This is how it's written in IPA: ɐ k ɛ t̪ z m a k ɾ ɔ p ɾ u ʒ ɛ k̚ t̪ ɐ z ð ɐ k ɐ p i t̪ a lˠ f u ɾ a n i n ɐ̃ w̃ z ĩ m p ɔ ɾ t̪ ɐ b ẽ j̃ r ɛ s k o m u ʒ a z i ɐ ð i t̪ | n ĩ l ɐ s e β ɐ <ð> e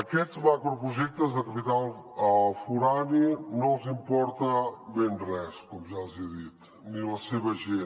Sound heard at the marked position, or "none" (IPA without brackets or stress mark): ʒ